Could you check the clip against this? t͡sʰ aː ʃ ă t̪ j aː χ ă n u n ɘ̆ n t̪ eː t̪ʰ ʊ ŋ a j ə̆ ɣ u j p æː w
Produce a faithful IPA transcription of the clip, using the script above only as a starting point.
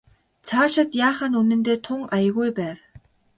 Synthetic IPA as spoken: t͡sʰ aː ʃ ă t̪ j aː χ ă n u n ɘ̆ n t̪ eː t̪ʰ ʊ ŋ a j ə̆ ɣ u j p æː w